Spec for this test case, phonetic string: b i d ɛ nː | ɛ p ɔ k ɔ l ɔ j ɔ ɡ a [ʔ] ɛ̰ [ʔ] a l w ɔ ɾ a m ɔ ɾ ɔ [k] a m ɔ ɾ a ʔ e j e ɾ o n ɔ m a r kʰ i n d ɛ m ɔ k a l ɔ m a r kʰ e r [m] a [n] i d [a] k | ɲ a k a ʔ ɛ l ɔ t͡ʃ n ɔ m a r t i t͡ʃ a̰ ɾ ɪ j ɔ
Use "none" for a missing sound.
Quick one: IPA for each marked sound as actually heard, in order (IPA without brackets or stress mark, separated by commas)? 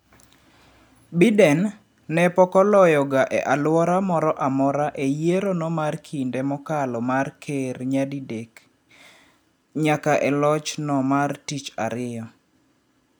ʔ, ʔ, ʔ, ɲ, d, e